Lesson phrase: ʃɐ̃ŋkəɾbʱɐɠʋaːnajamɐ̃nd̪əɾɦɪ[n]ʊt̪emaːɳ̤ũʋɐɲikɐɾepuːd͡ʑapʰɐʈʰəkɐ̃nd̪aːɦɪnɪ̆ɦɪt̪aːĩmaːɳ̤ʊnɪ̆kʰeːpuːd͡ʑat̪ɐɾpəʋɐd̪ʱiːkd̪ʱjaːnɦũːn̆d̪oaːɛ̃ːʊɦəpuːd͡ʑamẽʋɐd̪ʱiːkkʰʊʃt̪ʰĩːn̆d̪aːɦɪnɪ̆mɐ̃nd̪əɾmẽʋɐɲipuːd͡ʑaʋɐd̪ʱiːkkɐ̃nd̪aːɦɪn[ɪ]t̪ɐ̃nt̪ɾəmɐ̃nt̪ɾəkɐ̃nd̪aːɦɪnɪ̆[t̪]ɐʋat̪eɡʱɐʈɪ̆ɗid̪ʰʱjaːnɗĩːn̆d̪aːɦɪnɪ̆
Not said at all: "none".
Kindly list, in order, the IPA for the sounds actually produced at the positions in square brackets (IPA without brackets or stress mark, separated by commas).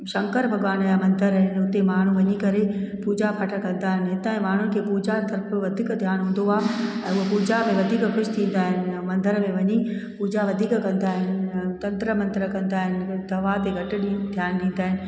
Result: n, ɪ, d̪